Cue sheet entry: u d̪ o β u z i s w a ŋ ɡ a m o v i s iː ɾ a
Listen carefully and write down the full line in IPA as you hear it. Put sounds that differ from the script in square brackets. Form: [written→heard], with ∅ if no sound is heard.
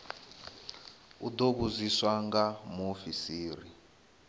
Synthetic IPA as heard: u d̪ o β u z i s w a ŋ ɡ a m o [v→f] i s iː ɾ [a→i]